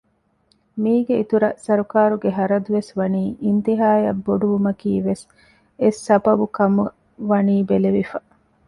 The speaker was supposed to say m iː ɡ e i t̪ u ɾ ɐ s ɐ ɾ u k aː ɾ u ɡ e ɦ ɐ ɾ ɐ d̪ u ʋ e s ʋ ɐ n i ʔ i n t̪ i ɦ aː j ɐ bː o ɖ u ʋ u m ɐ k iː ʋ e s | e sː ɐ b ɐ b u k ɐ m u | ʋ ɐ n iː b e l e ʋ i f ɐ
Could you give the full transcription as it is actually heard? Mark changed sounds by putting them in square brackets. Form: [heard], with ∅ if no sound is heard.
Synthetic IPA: m iː ɡ e i t̪ u ɾ ɐ s ɐ ɾ u k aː ɾ u ɡ e ɦ ɐ ɾ ɐ d̪ u ʋ e s ʋ ɐ n [iː] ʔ i n t̪ i ɦ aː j ɐ bː o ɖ u ʋ u m ɐ k iː ʋ e s | e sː ɐ b ɐ b u k ɐ m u | ʋ ɐ n iː b e l e ʋ i f ɐ